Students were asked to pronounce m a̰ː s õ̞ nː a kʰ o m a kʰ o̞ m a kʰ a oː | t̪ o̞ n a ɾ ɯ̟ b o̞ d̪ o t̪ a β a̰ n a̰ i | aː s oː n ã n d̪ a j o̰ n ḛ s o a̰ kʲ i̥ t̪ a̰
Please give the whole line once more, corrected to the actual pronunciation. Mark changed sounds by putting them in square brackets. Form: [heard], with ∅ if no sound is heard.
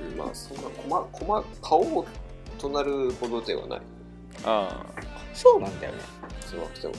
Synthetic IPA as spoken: m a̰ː s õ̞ nː a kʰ o m a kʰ o̞ m a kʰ a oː | t̪ o̞ n a ɾ ɯ̟ b o̞ d̪ o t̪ [e] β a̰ n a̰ i | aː s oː n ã n d̪ a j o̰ n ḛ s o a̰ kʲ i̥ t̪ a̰